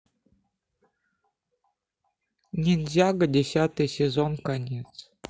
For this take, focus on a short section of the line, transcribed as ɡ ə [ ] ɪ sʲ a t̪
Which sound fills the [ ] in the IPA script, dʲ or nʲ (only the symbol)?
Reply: dʲ